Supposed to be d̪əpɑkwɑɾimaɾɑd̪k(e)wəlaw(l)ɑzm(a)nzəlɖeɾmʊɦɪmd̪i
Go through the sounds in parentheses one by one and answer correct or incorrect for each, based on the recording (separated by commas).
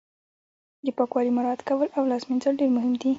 incorrect, correct, incorrect